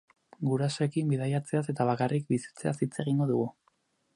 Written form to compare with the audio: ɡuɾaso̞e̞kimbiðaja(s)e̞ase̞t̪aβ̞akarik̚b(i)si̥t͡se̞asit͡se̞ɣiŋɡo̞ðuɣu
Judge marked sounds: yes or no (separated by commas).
no, yes